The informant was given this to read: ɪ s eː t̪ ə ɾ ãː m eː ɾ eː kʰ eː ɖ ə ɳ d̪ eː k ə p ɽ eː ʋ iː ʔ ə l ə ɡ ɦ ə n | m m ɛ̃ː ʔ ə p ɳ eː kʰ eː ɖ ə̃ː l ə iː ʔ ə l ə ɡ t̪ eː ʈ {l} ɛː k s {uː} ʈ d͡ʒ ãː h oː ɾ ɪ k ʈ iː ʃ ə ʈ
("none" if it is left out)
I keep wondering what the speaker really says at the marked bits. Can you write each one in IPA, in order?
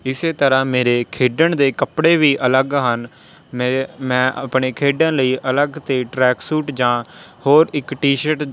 ɾ, uː

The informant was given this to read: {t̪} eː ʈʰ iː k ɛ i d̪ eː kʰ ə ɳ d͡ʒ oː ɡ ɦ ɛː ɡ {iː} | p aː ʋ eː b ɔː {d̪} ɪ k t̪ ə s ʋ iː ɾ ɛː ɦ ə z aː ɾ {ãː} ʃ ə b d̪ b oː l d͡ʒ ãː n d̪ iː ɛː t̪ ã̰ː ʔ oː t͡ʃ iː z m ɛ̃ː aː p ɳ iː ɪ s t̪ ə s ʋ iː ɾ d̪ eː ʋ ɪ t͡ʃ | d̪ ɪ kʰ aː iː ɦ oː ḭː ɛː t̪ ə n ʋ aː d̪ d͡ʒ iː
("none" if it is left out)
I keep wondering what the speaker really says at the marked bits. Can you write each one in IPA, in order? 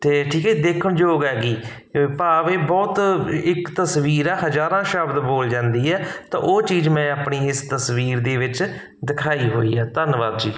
t̪, iː, t̪, ãː

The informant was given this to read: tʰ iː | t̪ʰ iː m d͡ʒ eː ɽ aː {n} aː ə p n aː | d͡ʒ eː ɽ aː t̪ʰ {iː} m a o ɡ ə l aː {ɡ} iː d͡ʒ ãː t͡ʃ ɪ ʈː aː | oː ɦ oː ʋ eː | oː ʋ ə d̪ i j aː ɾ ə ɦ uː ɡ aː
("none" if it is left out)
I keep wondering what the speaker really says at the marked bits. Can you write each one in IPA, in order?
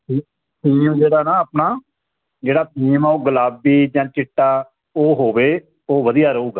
n, iː, b

